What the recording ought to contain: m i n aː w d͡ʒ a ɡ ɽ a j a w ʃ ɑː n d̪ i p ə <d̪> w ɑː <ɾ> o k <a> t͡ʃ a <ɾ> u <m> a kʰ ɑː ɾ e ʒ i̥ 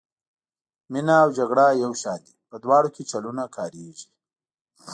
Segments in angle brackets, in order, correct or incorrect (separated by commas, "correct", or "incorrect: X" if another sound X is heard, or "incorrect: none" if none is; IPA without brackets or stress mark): correct, incorrect: ɽ, incorrect: e, incorrect: l, incorrect: n